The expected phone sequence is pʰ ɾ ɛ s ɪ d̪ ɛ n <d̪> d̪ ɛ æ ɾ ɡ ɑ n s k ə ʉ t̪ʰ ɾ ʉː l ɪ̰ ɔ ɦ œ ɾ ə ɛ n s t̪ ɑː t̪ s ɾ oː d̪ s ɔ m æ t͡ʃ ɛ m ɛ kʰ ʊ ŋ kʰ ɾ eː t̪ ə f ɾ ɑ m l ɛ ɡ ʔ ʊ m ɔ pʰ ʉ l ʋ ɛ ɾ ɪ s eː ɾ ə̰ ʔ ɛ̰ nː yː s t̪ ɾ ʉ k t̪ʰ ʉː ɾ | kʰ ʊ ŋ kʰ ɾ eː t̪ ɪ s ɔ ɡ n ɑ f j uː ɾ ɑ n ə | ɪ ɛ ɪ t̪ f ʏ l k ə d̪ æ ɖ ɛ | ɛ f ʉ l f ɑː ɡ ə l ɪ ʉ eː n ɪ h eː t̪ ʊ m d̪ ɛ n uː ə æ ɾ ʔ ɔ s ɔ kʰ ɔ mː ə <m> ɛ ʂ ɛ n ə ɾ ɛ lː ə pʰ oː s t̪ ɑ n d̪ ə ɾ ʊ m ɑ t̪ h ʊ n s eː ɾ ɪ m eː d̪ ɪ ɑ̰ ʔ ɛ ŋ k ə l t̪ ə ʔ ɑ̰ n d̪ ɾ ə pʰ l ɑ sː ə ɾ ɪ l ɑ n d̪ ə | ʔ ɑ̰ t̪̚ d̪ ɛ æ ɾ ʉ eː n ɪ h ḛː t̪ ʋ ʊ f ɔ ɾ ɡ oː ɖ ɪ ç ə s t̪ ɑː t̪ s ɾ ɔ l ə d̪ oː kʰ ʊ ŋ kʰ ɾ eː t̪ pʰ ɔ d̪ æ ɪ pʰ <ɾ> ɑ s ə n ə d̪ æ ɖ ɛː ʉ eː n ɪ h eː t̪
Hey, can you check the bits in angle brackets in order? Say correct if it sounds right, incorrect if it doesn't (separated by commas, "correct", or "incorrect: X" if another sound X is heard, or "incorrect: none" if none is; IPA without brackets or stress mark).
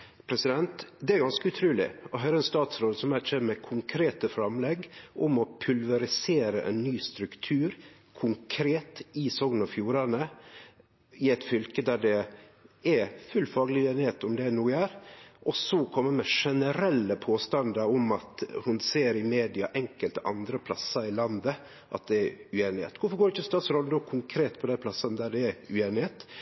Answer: incorrect: t̪, correct, incorrect: l